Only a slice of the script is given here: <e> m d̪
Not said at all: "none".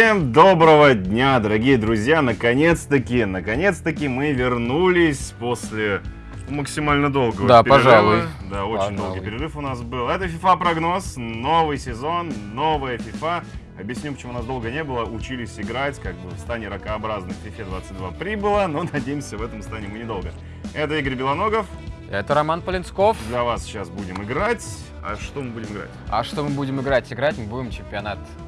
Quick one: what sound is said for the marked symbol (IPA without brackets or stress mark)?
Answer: e